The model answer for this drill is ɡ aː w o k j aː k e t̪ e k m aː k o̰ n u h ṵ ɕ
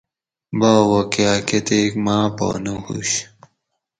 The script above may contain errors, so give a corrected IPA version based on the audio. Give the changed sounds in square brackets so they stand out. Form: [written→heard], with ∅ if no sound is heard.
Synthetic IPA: [ɡ→b] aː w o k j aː k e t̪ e k m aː [k→p] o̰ n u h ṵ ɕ